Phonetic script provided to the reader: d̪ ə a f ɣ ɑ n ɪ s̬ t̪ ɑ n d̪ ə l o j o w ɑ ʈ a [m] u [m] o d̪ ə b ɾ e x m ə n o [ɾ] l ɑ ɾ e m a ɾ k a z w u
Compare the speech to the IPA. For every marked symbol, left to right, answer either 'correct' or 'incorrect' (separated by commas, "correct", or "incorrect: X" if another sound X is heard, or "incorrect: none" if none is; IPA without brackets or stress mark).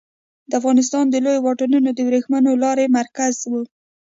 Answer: incorrect: n, incorrect: n, incorrect: none